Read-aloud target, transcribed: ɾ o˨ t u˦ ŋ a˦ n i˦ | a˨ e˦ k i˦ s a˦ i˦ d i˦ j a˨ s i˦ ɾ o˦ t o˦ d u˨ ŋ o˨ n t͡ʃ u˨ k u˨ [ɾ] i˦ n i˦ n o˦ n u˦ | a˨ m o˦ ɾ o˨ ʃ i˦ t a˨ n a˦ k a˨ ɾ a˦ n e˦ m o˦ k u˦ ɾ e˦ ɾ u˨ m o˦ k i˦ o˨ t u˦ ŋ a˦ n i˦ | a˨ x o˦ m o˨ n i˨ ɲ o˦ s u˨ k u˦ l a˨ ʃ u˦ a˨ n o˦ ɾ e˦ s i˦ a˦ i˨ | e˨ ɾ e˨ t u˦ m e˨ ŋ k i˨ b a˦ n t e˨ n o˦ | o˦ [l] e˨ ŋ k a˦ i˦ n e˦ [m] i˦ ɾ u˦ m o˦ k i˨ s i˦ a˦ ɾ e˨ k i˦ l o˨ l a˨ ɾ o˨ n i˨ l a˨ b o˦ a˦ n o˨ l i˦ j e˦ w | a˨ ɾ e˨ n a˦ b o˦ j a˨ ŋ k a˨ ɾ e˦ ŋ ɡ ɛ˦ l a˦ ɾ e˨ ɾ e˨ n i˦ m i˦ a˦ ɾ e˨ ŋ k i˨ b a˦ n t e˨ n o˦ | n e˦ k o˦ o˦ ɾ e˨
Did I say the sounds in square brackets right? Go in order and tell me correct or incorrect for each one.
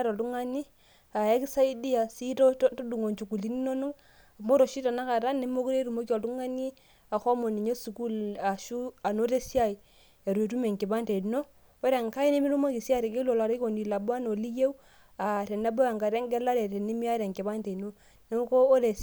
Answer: incorrect: l, incorrect: ɾ, correct

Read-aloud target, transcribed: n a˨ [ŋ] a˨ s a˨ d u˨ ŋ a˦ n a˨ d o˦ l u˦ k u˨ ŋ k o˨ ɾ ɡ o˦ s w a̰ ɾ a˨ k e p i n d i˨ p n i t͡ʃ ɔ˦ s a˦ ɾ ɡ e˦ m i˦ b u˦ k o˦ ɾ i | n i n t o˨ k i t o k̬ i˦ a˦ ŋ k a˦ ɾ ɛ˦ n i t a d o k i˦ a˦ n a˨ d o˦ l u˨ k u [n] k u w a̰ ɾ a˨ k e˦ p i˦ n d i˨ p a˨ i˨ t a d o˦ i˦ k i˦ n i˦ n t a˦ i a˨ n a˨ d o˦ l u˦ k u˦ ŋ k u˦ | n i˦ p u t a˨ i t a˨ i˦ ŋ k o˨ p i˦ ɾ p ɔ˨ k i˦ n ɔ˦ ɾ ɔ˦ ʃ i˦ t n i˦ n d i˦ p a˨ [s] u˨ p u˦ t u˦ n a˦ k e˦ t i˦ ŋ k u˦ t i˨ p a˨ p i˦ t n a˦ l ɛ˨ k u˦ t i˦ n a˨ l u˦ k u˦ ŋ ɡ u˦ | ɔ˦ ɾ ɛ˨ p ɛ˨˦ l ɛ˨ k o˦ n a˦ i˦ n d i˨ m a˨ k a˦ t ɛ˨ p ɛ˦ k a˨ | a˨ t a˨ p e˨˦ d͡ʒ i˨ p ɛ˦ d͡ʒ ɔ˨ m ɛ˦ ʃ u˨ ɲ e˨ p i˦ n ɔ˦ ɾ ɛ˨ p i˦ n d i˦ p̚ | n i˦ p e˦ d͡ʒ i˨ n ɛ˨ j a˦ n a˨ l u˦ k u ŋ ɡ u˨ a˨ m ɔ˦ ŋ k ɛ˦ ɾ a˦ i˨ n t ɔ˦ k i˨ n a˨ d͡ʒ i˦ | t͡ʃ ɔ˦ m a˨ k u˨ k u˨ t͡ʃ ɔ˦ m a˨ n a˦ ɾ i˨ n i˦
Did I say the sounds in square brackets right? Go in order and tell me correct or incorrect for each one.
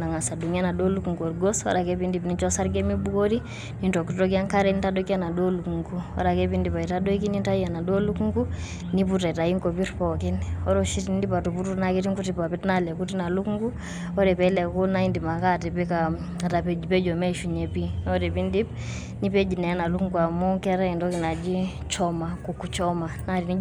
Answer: correct, incorrect: ŋ, incorrect: t

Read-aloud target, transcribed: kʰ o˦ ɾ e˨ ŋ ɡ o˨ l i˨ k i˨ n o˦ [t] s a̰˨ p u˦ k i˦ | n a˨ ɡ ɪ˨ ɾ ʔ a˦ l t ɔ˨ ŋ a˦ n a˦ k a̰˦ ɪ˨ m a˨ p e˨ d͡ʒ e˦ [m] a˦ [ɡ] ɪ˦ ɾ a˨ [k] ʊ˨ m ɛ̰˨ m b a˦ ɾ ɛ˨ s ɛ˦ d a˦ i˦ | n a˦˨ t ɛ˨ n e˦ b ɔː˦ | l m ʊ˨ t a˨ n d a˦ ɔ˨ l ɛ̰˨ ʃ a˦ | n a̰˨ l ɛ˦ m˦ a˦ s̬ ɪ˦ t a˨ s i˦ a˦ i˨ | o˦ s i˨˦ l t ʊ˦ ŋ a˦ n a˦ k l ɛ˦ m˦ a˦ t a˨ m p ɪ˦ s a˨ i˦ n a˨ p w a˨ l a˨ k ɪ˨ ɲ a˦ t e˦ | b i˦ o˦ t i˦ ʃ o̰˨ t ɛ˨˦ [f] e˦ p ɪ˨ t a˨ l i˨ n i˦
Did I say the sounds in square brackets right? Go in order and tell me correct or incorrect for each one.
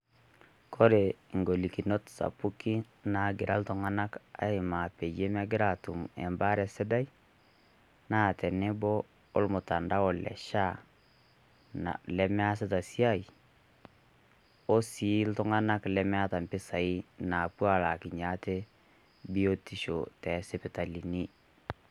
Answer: correct, correct, correct, incorrect: t, incorrect: s

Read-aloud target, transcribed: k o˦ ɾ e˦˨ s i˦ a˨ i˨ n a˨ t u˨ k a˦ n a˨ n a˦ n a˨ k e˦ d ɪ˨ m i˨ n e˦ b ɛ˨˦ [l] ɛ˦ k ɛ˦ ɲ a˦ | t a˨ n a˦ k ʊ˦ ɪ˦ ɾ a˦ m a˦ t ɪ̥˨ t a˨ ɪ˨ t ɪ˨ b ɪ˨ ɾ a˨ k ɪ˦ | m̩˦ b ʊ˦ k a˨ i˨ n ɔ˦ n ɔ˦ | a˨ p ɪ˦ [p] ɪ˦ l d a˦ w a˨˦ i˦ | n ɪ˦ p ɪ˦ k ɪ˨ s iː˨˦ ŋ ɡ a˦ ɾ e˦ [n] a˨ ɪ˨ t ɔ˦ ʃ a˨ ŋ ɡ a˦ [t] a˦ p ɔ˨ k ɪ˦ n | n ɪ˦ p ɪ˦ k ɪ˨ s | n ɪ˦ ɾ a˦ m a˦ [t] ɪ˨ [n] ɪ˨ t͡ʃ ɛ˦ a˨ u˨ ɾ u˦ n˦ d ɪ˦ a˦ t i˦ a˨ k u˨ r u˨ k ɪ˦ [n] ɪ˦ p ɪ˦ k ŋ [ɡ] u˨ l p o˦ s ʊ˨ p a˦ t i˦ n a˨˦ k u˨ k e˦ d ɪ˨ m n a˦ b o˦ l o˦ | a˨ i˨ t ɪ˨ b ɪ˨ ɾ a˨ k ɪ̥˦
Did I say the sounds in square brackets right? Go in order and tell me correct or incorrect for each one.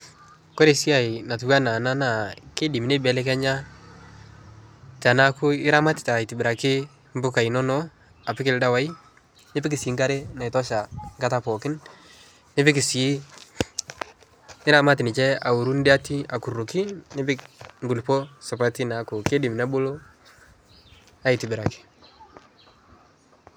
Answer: correct, incorrect: k, correct, correct, correct, correct, correct, correct

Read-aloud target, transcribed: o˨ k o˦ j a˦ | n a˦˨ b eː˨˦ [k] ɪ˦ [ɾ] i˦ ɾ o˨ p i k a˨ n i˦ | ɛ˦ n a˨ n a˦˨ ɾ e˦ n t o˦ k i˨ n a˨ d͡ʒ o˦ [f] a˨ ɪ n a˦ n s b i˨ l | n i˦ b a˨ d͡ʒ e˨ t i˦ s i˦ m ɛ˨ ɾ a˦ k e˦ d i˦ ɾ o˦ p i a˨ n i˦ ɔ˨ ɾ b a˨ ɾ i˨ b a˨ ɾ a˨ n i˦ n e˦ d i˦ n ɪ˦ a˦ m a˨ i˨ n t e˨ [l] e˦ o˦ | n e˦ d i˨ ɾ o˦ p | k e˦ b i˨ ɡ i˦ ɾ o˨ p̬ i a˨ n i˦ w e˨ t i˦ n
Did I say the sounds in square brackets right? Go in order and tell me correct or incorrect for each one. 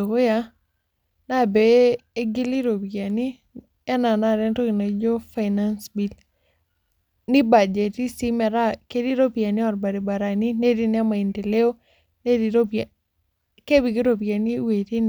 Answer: incorrect: ɡ, incorrect: l, correct, correct

